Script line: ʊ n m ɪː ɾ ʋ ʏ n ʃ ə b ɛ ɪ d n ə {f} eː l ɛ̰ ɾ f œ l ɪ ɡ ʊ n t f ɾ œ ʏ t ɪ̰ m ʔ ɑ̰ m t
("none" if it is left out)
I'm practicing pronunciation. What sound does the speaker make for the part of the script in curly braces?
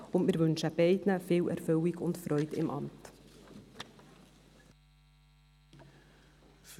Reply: f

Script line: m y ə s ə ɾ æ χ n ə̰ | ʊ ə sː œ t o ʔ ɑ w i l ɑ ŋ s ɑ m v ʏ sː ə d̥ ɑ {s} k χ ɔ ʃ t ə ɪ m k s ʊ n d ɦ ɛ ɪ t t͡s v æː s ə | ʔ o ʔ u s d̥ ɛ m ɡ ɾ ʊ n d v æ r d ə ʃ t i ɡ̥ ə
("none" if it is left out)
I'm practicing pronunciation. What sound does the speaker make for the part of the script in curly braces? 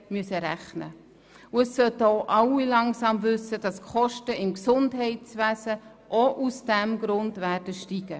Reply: s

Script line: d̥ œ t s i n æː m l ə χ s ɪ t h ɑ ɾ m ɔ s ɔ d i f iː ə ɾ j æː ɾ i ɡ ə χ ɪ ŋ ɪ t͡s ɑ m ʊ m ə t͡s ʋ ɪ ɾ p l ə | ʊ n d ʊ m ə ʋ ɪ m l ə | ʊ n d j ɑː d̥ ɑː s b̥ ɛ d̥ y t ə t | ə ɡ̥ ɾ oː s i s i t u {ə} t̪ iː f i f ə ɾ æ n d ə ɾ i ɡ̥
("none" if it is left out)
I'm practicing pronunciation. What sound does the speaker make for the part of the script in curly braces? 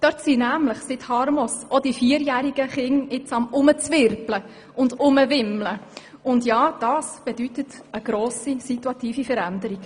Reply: ɑ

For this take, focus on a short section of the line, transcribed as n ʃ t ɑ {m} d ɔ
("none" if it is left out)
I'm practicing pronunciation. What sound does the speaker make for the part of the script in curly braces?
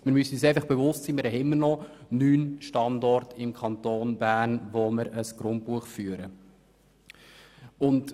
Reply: n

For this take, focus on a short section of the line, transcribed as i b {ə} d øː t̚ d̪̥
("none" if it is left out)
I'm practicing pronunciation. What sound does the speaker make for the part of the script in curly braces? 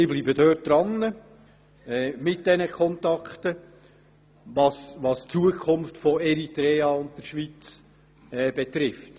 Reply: ə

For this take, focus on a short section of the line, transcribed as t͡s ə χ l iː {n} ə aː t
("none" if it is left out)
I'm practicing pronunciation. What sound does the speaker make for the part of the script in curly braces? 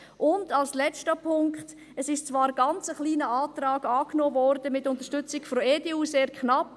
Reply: n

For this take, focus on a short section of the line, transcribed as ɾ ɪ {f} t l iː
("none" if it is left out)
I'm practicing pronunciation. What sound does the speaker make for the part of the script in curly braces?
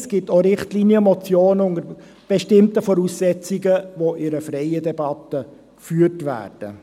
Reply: χ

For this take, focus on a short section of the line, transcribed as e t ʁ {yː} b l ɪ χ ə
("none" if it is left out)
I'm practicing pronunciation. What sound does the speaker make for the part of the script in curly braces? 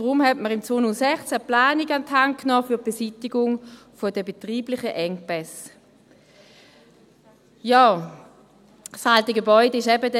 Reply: iː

